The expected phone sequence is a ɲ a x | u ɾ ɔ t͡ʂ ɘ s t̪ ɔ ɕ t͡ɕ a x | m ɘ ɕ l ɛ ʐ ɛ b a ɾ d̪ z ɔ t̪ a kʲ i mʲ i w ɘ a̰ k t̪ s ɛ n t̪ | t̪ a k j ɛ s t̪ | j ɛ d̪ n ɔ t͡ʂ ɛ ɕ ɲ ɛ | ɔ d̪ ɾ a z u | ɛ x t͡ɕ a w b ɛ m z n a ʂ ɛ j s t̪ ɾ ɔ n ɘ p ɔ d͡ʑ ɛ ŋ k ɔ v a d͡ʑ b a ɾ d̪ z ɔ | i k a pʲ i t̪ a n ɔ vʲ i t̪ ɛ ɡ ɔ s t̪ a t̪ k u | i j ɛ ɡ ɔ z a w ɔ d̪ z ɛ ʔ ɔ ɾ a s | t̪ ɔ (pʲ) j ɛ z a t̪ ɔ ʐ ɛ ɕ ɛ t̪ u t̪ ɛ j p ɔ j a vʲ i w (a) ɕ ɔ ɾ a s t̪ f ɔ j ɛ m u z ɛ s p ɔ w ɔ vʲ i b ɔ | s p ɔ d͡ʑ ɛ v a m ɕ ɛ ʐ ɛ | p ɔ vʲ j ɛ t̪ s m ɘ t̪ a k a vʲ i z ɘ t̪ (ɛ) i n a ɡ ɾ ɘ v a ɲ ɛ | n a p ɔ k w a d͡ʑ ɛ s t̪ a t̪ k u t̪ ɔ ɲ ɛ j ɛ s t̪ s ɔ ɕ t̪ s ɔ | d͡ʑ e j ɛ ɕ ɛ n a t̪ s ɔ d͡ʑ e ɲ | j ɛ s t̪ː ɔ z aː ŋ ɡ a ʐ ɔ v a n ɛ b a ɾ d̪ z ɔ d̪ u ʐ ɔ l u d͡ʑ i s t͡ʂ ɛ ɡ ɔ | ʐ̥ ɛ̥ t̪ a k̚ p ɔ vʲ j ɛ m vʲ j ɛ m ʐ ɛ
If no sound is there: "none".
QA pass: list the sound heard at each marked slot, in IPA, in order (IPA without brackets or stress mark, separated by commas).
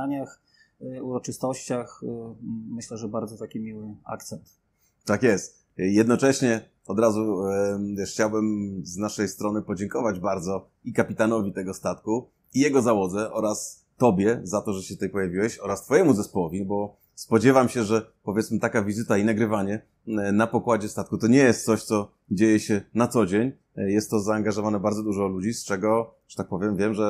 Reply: bʲ, ɛ, a